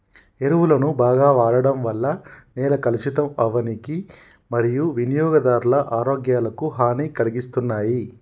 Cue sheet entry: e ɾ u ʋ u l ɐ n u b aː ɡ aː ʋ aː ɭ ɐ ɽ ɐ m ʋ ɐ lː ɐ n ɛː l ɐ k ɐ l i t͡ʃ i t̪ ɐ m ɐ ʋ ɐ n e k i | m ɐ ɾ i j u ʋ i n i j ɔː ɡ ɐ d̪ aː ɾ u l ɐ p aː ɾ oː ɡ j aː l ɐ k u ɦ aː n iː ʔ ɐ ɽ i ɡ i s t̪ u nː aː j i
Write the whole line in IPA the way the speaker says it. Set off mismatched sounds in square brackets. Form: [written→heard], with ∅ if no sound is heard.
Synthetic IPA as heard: e ɾ u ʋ u l ɐ n u b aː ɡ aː ʋ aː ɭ ɐ ɽ ɐ m ʋ ɐ lː ɐ n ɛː l ɐ k ɐ l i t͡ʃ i t̪ ɐ m ɐ ʋ ɐ n [e→i] k i | m ɐ ɾ i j u ʋ i n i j ɔː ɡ ɐ d̪ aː ɾ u l ɐ [p→ʔ] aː ɾ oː ɡ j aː l ɐ k u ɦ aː n iː [ʔ→k] ɐ [ɽ→l] i ɡ i s t̪ u nː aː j i